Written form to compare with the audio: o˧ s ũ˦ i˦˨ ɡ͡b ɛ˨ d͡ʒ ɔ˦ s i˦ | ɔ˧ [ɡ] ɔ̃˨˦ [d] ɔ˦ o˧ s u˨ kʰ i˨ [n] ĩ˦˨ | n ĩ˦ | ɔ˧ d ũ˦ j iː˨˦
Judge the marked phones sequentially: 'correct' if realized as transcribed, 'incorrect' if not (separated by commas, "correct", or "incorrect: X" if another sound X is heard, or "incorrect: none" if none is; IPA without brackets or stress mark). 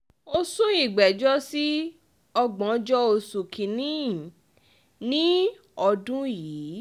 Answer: incorrect: ɡ͡b, incorrect: d͡ʒ, correct